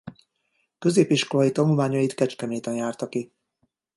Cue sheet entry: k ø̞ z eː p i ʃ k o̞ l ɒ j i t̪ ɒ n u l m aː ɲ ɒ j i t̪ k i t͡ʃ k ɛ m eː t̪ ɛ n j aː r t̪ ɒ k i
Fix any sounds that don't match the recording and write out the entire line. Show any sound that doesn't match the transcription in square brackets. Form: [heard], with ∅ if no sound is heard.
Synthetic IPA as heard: k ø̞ z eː p i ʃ k o̞ l ɒ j i t̪ ɒ n u l m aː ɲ ɒ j i t̪ k [ɛ] t͡ʃ k ɛ m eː t̪ ɛ n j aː r t̪ ɒ k i

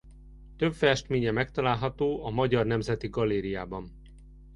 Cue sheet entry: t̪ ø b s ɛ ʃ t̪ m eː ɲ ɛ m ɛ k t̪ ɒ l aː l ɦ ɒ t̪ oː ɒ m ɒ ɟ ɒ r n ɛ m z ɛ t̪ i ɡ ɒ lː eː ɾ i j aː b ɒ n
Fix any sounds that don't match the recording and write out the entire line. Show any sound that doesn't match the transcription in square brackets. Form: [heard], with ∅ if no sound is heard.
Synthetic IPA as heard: t̪ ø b [f] ɛ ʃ t̪ m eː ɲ ɛ m ɛ k t̪ ɒ l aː l ɦ ɒ t̪ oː ɒ m ɒ ɟ ɒ r n ɛ m z ɛ t̪ i ɡ ɒ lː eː ɾ i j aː b ɒ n

